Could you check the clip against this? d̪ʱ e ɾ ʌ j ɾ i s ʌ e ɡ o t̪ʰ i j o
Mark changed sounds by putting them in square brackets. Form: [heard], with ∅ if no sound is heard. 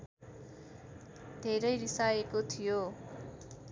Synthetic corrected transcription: d̪ʱ e ɾ ʌ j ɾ i s [a] e [k] o t̪ʰ i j o

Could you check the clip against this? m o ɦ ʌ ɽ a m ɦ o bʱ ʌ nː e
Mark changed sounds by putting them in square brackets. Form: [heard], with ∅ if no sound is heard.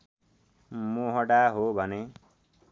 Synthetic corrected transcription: m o ɦ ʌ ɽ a [∅] ɦ o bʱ ʌ [n] e

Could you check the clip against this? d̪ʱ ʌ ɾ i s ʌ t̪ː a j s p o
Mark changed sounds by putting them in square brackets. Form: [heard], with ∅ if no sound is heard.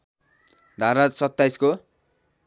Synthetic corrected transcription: d̪ʱ [a] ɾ [a] s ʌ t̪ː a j s [k] o

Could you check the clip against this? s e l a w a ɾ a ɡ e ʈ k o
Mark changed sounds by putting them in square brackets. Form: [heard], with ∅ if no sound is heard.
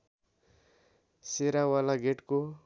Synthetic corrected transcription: s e [ɾ] a w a [l] a ɡ e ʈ k o

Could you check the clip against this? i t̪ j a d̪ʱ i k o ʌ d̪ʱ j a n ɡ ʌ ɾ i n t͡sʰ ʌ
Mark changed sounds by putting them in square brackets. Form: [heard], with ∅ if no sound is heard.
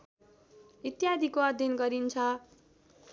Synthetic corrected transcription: i t̪ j a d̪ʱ i k o ʌ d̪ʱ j [ʌ] n ɡ ʌ ɾ i n t͡sʰ ʌ

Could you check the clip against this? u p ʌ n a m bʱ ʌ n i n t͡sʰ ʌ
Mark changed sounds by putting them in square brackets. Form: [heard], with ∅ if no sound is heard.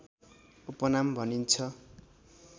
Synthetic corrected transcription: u p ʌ n a m bʱ ʌ n i n t͡sʰ ʌ

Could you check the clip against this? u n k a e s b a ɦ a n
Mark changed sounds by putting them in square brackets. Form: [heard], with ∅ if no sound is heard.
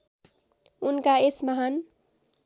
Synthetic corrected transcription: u n k a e s [m] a ɦ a n

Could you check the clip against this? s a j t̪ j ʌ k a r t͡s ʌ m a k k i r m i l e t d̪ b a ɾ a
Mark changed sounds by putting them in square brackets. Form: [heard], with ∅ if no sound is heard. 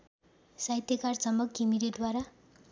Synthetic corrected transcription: s a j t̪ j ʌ k a r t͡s ʌ m [ʌ] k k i [∅] m i [ɾ] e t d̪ [w] a ɾ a

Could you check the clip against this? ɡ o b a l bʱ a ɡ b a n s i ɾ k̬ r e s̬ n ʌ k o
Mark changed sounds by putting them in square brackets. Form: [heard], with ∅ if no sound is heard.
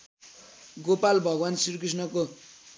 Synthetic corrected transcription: ɡ o [p] a l bʱ [ʌ] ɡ [w] a n s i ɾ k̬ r [i] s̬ n ʌ k o

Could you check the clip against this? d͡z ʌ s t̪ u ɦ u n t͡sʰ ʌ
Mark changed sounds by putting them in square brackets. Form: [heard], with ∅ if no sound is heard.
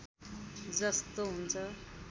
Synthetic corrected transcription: d͡z ʌ s t̪ [o] ɦ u n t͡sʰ ʌ

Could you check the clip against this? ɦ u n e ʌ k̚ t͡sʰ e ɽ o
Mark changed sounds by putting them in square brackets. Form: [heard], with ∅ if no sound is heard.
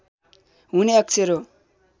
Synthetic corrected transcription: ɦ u n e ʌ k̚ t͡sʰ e [ɾ] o

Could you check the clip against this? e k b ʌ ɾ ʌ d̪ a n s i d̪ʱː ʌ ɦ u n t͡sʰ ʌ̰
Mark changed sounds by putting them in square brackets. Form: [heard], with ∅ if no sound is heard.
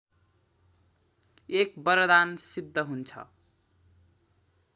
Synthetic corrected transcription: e k b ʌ ɾ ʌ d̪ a n s i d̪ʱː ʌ ɦ u n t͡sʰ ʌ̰

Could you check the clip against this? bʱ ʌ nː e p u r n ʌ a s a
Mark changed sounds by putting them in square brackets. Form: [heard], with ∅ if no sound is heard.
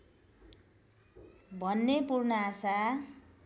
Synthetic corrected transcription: bʱ ʌ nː e p u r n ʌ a s a

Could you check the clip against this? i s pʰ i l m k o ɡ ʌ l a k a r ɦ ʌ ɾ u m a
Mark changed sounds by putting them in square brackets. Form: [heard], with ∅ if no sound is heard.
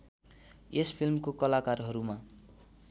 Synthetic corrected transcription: [e] s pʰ i l m k o [k] ʌ l a k a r ɦ ʌ ɾ u m a

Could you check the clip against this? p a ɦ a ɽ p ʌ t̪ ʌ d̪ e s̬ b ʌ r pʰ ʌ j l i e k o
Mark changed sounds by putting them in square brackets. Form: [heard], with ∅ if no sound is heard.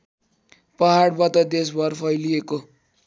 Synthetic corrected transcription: p [ʌ] ɦ a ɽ [b] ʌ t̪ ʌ d̪ e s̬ b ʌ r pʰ ʌ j l i e k o

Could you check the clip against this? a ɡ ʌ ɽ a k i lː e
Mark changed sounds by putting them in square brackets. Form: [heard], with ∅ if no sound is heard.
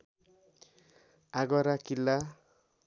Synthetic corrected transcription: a ɡ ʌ [ɾ] a k i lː [a]

